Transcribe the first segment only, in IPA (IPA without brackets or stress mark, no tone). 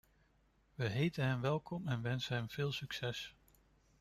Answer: ʋ